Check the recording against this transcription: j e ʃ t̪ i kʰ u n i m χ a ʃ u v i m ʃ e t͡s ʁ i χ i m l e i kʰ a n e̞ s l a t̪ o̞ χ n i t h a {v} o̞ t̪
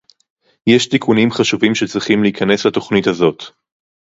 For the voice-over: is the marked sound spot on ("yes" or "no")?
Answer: no